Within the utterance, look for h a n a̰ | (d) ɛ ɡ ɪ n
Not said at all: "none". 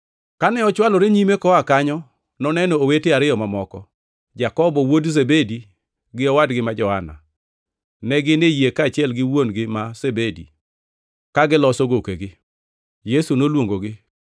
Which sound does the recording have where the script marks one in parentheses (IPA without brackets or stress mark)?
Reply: n